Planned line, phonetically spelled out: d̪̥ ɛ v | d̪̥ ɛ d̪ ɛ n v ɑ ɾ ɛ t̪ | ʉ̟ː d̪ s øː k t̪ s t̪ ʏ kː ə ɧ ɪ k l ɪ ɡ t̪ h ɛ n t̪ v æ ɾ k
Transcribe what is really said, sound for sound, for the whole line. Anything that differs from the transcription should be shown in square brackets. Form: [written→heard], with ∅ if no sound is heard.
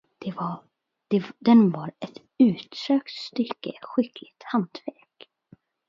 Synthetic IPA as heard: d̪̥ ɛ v | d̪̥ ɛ d̪ ɛ n v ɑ ɾ ɛ t̪ | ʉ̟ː [d̪→t̪] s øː k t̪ s t̪ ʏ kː ə ɧ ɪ k l ɪ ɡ t̪ h [ɛ→a] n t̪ v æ ɾ k